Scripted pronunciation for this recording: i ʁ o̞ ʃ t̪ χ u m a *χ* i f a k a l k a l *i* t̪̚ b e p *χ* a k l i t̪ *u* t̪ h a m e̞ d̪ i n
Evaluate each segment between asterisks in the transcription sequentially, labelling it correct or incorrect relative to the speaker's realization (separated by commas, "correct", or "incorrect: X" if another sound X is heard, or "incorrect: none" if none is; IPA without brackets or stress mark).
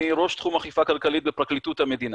correct, correct, incorrect: ʁ, correct